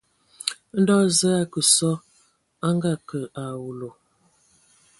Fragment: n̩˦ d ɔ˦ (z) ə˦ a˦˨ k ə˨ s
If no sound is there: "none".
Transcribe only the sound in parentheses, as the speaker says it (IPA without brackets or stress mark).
z